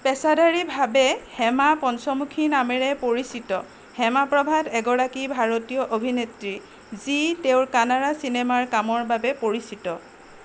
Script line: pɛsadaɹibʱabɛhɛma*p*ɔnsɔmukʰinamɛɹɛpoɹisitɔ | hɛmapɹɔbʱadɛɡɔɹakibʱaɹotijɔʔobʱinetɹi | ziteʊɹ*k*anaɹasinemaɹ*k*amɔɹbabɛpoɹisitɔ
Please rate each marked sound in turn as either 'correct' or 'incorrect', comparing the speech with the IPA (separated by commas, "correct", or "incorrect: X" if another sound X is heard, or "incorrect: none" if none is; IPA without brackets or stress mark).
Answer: correct, correct, correct